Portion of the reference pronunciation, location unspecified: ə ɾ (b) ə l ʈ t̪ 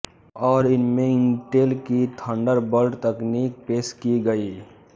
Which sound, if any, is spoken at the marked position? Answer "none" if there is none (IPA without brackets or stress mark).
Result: b